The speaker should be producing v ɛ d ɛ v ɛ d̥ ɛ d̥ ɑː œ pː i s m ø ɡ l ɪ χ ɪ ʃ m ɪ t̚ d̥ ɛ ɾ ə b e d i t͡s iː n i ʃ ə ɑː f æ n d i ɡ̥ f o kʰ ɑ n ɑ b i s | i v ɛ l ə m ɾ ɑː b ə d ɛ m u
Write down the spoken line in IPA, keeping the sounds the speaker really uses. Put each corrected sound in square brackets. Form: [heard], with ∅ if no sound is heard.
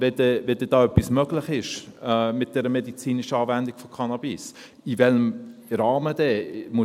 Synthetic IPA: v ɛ d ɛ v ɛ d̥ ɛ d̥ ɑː œ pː i s m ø ɡ l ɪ χ ɪ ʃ m ɪ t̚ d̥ ɛ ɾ ə [m] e d i t͡s iː n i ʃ ə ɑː [v] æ n d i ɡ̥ f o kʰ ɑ n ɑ b i s | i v ɛ l ə m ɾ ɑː [m] ə d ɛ m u